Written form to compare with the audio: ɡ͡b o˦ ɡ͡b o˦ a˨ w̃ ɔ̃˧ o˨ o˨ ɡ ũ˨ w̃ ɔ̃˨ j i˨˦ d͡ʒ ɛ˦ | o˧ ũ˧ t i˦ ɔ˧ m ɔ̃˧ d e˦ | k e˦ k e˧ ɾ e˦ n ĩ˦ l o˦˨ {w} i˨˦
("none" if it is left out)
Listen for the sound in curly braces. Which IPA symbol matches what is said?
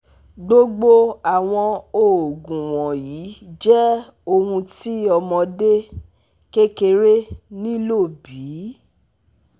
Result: b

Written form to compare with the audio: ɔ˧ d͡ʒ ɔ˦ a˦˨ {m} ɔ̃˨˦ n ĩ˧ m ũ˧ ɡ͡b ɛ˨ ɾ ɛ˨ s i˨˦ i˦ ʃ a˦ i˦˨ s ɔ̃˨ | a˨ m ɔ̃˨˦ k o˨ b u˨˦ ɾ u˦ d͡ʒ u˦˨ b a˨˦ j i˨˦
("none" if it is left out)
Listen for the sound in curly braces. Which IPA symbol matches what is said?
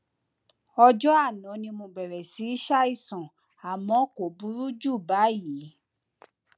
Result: n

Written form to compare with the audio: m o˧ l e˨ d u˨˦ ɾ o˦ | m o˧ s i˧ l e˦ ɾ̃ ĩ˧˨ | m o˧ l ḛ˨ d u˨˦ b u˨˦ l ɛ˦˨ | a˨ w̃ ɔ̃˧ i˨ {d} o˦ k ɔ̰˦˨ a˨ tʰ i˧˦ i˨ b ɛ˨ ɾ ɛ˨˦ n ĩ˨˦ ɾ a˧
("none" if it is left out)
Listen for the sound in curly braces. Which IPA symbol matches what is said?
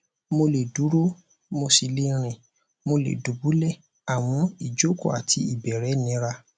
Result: d͡ʒ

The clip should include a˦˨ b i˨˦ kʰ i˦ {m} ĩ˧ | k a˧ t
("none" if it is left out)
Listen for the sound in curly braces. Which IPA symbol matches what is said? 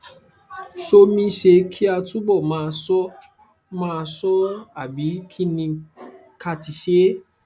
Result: n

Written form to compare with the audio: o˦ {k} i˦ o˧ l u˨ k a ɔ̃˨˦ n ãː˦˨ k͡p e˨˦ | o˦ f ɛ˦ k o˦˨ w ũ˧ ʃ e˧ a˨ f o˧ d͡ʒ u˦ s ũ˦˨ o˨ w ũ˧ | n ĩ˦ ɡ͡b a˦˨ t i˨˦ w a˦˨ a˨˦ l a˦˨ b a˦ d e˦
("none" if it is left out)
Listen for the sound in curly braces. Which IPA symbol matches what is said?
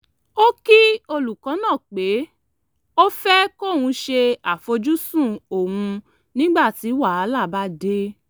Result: k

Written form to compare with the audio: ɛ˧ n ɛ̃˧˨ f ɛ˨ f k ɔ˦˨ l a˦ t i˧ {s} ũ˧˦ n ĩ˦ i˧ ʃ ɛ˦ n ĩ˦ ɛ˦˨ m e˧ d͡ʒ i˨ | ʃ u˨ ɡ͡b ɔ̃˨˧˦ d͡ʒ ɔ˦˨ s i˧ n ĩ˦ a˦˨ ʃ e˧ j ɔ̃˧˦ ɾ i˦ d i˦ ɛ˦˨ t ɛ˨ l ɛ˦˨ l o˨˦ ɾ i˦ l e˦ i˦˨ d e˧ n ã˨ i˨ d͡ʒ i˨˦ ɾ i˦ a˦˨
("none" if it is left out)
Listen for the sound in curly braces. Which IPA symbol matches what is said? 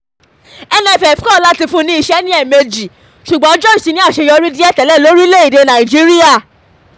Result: f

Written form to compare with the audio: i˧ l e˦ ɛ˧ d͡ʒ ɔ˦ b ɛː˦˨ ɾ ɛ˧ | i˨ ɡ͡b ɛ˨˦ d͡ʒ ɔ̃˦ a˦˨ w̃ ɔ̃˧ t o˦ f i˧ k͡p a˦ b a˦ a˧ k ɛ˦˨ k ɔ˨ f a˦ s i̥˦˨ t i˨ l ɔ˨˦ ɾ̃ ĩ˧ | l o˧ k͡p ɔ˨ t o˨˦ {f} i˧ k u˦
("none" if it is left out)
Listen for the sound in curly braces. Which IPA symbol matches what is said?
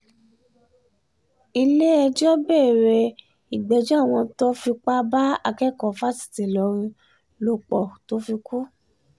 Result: f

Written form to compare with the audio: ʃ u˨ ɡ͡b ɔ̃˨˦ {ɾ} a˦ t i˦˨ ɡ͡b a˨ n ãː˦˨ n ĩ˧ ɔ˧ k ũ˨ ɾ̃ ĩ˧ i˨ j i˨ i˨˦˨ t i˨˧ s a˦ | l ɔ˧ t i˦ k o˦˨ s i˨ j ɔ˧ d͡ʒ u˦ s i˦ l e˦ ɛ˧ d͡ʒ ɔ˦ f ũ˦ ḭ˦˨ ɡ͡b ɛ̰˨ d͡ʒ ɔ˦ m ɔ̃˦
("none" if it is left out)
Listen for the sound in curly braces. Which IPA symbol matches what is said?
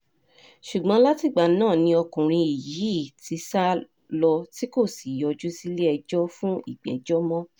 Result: l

